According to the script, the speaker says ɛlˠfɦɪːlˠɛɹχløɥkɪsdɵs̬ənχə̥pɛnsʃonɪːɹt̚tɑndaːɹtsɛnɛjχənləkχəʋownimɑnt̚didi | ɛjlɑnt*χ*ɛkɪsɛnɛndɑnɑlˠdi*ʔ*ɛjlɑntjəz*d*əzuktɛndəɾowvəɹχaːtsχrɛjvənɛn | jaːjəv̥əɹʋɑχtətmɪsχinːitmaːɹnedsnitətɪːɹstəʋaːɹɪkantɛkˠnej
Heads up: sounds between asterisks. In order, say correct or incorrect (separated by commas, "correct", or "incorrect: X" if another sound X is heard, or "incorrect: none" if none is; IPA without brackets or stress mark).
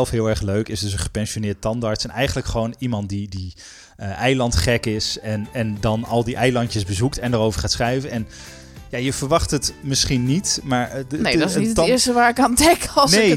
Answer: correct, correct, incorrect: b